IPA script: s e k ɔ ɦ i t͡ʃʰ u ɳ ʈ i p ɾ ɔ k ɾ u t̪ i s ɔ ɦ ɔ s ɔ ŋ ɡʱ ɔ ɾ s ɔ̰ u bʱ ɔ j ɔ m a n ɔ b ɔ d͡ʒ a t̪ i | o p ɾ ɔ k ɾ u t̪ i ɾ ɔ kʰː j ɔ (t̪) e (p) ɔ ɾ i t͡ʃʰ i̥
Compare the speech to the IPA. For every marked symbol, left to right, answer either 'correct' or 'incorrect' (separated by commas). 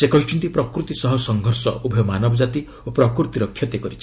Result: correct, incorrect